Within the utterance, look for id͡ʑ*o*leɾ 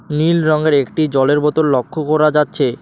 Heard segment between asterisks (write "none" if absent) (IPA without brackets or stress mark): ɔ